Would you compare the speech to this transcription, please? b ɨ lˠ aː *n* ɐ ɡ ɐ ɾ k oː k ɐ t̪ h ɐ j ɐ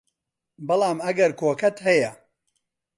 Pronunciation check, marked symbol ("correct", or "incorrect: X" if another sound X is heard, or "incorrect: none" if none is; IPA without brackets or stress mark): incorrect: m